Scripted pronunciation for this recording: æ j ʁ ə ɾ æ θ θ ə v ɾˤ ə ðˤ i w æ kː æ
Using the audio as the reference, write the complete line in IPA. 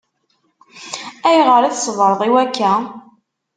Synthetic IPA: æ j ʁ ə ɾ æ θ s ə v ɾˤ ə ðˤ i w æ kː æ